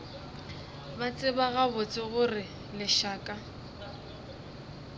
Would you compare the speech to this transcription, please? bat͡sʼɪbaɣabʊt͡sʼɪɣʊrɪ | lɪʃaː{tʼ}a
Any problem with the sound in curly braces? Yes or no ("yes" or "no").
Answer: yes